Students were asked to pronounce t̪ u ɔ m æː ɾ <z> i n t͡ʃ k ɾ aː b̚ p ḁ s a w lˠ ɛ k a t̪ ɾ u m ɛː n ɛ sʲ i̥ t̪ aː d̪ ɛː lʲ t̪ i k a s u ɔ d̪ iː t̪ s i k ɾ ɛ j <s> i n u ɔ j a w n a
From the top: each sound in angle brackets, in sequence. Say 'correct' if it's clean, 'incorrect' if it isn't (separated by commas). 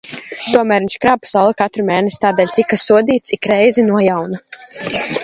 incorrect, incorrect